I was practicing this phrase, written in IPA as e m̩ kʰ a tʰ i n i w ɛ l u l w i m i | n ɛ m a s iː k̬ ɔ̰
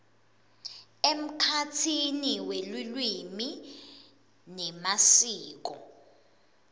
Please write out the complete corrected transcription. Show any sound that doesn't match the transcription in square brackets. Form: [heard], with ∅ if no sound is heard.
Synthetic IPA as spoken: e m̩ kʰ a tʰ i n i w [e] l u l w i m i | n ɛ m a s iː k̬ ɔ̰